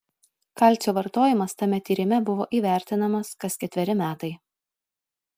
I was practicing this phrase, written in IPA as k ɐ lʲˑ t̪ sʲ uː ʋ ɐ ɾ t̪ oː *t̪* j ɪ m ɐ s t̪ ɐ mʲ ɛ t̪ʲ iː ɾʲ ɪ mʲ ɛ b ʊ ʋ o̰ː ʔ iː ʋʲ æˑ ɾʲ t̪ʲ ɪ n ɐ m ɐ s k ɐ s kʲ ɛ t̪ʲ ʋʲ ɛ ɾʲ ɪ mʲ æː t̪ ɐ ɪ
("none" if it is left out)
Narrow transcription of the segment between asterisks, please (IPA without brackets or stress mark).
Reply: none